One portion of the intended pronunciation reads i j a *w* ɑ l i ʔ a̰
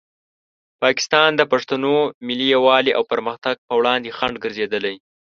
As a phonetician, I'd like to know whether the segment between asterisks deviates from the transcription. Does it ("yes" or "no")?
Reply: no